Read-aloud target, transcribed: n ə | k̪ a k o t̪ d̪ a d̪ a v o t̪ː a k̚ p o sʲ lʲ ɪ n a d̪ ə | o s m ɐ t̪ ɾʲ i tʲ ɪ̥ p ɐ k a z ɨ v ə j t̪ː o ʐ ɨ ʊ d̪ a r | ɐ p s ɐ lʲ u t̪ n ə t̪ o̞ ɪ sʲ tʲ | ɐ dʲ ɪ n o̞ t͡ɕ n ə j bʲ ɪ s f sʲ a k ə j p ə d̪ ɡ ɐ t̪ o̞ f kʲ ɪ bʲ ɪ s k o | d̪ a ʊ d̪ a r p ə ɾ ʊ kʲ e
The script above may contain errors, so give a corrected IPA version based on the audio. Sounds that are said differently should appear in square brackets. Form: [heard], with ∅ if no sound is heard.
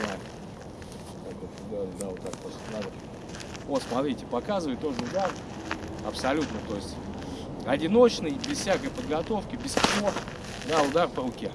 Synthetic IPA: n [a] | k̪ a k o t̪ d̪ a d̪ a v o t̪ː a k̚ p o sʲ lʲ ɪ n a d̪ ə | o s m ɐ t̪ ɾʲ i tʲ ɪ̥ p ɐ k a z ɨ v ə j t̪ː o ʐ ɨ ʊ d̪ a r | ɐ p s ɐ lʲ u t̪ n ə t̪ o̞ ɪ sʲ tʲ | ɐ dʲ ɪ n o̞ t͡ɕ n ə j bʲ ɪ s f sʲ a k ə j p ə d̪ ɡ ɐ t̪ o̞ f kʲ ɪ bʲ ɪ s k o | d̪ a ʊ d̪ a r p ə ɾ ʊ kʲ e